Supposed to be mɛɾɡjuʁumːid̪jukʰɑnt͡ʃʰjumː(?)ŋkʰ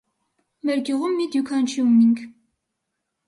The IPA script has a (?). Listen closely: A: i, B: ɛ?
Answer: A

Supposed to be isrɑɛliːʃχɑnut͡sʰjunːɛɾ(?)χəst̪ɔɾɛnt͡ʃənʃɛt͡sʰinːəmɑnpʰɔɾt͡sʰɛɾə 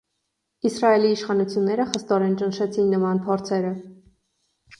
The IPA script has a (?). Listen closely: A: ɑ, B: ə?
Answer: B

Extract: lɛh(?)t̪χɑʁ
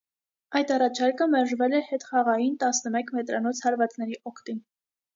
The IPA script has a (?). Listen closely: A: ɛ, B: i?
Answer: A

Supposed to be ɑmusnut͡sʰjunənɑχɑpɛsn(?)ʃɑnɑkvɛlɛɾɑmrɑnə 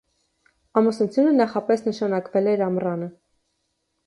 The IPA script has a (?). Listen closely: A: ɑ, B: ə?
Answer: B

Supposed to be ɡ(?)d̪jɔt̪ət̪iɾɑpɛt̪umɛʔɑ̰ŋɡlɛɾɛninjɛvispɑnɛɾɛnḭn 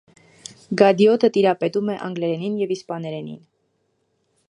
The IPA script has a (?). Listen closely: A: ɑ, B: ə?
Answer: A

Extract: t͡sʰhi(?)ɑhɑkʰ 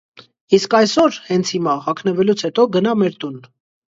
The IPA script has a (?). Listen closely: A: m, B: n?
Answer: A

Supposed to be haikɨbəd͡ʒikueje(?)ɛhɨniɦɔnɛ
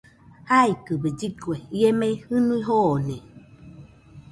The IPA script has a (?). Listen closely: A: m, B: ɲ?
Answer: A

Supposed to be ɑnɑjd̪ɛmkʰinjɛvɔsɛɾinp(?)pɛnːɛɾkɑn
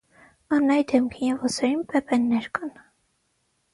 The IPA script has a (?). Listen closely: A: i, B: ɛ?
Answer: B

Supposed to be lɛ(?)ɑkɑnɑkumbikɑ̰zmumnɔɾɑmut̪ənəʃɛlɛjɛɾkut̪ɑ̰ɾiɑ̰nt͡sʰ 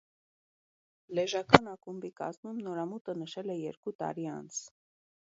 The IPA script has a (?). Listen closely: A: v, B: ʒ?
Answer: B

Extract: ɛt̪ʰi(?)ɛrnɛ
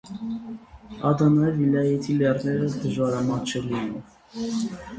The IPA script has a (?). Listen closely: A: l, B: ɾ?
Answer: A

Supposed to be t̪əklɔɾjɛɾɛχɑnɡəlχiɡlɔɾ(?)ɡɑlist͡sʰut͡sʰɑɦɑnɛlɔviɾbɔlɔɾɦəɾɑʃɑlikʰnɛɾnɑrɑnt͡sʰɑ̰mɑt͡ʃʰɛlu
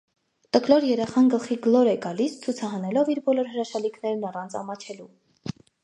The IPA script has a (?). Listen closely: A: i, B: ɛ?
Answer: B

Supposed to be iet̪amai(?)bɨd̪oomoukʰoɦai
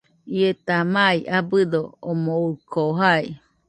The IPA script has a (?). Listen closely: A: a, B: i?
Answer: A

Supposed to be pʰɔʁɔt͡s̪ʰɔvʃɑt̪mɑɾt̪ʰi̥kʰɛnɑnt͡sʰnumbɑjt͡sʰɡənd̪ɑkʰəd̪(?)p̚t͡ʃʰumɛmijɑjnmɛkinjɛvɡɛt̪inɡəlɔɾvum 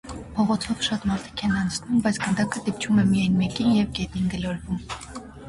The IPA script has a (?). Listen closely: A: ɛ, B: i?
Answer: B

